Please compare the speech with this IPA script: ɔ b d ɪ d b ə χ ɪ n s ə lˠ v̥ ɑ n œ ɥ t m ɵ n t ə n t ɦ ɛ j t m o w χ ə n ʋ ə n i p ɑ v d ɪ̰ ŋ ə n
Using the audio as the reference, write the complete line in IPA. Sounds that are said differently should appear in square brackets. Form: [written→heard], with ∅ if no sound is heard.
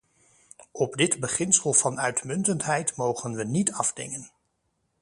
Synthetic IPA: ɔ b d ɪ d b ə χ ɪ n s ə lˠ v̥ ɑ n œ ɥ t m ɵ n t ə n t ɦ ɛ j t m o w χ ə n ʋ ə n i [p→t] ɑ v d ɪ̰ ŋ ə n